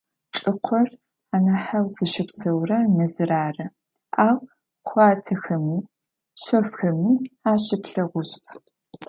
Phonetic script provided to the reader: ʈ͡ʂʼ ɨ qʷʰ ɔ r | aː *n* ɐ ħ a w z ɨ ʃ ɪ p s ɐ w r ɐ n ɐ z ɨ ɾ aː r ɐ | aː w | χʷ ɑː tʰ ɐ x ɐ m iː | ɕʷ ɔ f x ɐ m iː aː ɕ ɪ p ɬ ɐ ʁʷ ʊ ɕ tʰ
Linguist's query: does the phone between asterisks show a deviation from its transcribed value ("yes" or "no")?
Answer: no